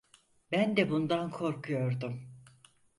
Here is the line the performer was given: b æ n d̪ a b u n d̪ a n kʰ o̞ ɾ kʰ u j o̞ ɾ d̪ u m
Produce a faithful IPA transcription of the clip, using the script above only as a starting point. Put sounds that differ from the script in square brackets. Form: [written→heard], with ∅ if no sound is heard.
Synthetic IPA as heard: b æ n d̪ [a→ɛ] b u n d̪ a n kʰ o̞ ɾ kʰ u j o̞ ɾ d̪ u m